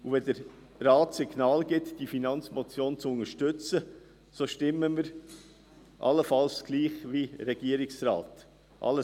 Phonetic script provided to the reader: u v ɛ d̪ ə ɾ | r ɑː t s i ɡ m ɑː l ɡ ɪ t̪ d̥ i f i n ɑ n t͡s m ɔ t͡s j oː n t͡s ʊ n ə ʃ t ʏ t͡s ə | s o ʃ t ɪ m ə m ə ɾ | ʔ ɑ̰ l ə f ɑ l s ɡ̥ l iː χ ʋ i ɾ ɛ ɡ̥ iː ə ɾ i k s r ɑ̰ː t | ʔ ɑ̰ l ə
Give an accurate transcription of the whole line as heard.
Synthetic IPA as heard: u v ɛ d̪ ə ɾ | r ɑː t s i ɡ n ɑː l ɡ ɪ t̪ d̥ i f i n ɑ n t͡s m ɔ t͡s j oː n t͡s ʊ n ə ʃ t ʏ t͡s ə | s o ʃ t ɪ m ə m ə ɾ | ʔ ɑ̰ l ə f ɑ l s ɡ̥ l iː χ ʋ i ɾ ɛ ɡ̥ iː ə ɾ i k s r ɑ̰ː t | ʔ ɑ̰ l ə